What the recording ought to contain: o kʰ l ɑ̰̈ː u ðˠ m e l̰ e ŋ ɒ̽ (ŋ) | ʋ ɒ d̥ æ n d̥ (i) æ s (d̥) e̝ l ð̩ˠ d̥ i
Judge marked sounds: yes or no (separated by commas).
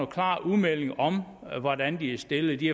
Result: no, yes, yes